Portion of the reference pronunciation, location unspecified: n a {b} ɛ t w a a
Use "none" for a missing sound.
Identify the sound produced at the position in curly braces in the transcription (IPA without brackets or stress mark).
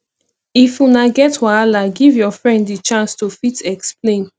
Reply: ɡ